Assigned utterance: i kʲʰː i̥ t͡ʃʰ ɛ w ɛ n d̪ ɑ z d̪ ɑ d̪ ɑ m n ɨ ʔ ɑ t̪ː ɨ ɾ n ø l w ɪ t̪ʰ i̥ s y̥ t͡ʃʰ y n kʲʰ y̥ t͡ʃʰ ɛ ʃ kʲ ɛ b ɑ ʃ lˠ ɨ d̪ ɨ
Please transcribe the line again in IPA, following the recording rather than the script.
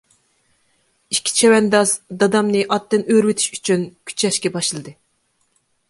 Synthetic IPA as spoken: i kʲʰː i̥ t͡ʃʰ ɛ w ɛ n d̪ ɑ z d̪ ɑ d̪ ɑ m n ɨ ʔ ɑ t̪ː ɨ n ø ɾ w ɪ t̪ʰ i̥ ʃ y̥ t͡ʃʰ y n kʲʰ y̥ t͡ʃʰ ɛ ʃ kʲ ɛ b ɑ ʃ lˠ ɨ d̪ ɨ